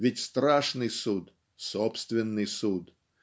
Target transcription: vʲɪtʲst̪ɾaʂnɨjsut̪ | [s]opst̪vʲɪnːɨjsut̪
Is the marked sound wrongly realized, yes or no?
no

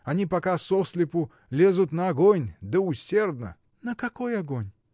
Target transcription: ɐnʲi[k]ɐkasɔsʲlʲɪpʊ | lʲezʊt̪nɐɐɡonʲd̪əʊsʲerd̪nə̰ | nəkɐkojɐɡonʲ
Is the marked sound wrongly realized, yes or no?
yes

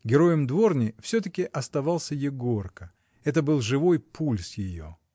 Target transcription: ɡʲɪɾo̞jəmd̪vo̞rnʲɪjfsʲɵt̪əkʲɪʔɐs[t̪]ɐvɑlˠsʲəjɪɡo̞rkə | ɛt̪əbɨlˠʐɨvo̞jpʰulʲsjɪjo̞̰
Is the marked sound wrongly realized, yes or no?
no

